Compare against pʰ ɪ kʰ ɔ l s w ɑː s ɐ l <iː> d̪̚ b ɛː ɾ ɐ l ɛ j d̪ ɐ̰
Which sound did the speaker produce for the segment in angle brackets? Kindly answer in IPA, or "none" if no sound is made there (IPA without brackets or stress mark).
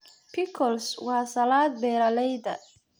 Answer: aː